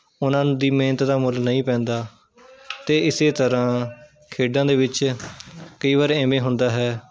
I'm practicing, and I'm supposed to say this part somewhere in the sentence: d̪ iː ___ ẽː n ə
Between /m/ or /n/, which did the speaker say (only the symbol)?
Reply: m